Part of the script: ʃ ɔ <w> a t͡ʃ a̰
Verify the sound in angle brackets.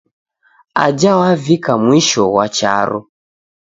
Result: correct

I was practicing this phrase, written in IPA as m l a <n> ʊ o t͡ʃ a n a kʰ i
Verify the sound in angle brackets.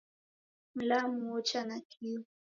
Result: incorrect: m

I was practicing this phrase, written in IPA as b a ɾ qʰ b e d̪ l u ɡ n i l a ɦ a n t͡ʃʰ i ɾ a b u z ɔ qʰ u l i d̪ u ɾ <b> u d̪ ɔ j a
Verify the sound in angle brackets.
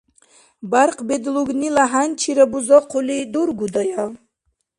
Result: incorrect: ɡ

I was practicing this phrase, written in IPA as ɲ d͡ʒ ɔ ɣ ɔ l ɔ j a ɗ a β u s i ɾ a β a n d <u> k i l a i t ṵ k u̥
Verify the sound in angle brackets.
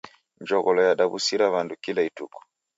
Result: correct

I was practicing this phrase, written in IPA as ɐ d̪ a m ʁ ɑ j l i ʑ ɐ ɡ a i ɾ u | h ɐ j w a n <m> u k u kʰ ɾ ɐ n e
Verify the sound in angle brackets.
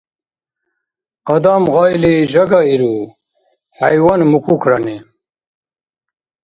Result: correct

